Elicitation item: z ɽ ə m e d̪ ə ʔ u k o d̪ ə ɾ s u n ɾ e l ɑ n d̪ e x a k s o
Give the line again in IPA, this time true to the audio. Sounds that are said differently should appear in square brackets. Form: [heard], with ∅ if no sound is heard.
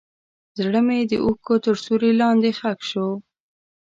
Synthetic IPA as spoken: z ɽ ə m e d̪ ə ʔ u k o [t̪] ə ɾ s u [∅] ɾ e l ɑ n d̪ e x a k [ʃ] o